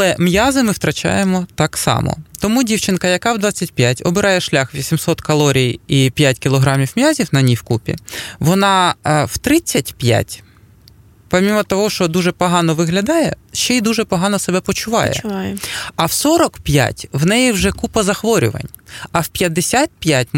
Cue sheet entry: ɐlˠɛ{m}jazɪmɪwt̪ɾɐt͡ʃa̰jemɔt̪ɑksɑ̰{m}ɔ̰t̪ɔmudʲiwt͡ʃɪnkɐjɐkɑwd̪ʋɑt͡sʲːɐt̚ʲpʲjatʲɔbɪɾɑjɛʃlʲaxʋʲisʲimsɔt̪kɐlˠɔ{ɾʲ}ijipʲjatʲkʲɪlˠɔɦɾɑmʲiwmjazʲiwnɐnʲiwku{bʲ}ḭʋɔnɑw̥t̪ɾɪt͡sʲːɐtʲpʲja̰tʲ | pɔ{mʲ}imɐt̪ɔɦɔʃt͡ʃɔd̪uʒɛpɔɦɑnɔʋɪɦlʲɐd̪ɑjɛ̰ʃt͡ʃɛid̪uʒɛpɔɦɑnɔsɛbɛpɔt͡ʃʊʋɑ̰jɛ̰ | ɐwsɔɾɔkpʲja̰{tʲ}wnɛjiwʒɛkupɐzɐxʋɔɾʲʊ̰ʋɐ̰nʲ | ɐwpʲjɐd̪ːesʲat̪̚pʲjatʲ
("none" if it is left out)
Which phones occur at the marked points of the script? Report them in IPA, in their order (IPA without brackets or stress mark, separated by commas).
m, m, ɾʲ, pʲ, mʲ, tʲ